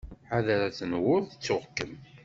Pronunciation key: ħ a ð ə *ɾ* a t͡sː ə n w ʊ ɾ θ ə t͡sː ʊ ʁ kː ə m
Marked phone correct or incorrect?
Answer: correct